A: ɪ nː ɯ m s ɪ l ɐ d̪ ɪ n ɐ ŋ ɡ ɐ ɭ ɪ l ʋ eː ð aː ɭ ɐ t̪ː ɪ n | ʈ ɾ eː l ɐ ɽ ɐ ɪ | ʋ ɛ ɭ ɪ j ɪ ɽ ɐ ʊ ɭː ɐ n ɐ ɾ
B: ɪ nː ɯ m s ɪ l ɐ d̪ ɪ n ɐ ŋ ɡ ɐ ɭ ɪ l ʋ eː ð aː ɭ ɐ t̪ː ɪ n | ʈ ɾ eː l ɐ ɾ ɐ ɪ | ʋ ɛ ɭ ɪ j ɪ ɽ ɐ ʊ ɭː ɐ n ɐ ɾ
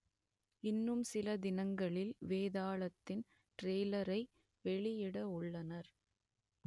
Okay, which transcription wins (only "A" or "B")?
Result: B